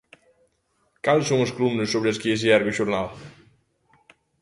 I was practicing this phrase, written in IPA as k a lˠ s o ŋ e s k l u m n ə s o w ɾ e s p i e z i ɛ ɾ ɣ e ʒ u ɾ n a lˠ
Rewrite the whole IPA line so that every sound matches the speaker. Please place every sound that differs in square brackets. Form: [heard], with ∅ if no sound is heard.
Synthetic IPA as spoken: k a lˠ s o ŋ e s k l u m n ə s o [β] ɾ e s [k] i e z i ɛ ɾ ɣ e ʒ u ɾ n a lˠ